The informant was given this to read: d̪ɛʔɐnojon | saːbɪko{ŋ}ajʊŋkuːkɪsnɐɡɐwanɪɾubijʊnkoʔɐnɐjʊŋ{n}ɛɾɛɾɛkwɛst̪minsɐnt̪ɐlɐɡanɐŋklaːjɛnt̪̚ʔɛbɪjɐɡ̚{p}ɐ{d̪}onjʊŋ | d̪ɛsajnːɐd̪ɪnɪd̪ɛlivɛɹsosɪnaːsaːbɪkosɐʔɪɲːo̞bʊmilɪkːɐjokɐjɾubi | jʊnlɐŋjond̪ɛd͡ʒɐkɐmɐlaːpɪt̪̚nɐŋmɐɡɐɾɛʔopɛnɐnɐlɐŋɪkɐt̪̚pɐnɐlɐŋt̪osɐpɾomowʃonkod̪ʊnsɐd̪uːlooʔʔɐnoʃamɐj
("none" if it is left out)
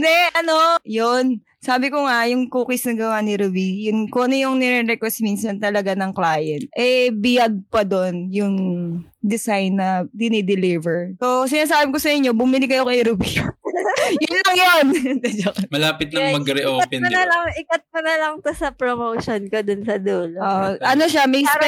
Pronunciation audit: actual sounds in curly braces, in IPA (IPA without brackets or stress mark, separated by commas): ŋ, n, p, d̪